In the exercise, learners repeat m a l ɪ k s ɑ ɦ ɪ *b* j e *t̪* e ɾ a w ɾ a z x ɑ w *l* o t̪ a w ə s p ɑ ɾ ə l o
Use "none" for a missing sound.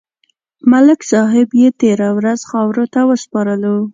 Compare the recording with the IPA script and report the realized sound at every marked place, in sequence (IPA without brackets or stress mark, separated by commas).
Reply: b, t̪, ɾ